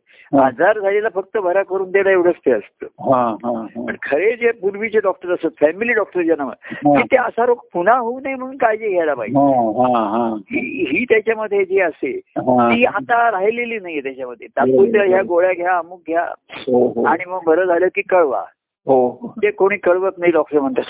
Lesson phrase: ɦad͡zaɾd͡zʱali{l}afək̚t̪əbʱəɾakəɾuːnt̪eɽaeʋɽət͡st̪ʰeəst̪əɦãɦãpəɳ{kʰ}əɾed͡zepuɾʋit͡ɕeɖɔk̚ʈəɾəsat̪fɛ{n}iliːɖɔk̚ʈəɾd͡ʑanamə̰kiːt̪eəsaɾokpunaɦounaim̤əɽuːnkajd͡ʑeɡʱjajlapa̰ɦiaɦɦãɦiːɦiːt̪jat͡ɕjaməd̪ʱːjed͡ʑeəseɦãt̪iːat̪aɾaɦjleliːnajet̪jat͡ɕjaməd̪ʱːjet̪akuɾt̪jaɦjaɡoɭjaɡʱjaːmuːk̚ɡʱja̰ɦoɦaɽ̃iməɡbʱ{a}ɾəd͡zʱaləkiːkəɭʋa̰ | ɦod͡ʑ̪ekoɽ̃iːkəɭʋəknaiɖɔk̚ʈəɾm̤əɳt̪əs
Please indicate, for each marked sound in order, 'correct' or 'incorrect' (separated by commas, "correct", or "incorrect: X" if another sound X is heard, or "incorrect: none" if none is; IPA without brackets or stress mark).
correct, correct, incorrect: m, incorrect: ə